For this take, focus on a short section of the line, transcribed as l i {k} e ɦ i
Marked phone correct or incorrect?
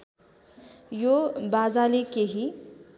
correct